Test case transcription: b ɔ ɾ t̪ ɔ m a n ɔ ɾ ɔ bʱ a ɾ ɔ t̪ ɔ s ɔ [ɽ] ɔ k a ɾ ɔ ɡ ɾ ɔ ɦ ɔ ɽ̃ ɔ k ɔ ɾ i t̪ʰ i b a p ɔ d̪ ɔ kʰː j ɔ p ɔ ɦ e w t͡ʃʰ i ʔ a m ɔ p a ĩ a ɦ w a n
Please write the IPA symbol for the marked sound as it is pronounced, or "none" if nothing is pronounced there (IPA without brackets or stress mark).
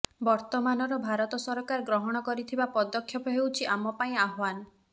ɾ